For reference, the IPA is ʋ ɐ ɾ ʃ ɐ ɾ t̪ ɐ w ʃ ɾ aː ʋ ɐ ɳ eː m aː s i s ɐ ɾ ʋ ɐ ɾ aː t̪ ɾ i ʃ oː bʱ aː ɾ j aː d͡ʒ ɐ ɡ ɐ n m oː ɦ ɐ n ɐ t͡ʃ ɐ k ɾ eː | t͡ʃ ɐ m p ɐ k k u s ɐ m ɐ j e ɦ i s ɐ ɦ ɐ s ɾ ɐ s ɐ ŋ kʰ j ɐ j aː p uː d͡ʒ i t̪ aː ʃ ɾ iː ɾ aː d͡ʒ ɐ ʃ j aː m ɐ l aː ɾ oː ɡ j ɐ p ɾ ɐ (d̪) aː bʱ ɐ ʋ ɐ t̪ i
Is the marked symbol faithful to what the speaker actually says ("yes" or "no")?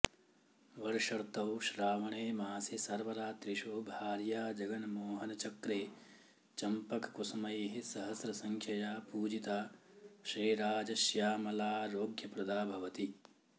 yes